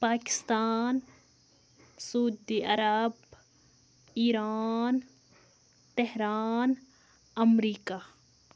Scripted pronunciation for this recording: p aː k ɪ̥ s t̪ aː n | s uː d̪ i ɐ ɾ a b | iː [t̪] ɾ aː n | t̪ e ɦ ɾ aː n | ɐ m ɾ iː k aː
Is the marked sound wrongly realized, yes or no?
yes